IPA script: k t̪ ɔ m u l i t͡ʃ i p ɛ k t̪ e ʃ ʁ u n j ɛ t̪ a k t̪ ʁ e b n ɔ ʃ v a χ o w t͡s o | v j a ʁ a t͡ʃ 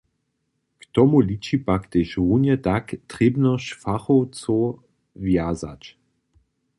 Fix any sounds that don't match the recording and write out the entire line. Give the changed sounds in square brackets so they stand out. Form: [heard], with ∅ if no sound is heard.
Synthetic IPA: k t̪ ɔ m u l i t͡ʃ i p [a] k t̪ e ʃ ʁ u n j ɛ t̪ a k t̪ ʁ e b n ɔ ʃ [f] a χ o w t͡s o | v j a [z] a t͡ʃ